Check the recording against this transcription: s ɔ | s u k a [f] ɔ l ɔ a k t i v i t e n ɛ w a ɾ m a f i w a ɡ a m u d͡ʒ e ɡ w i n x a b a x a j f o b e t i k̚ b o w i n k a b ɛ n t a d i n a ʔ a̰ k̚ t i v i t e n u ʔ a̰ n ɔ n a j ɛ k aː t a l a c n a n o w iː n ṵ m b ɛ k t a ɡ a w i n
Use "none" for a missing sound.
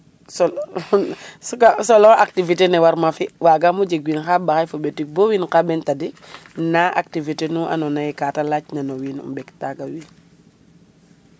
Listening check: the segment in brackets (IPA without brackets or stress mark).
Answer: s